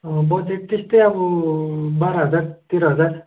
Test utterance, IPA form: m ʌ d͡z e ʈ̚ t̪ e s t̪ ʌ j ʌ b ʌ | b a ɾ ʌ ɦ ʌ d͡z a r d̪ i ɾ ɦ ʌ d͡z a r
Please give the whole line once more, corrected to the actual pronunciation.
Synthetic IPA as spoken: b ʌ d͡z e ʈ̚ t̪ e s t̪ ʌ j ʌ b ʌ | b a ɾ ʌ ɦ ʌ d͡z a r t̪ i ɾ ɦ ʌ d͡z a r